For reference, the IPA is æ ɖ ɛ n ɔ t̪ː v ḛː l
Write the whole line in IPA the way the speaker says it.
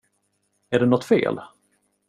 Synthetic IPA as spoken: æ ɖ ɛ n ɔ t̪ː f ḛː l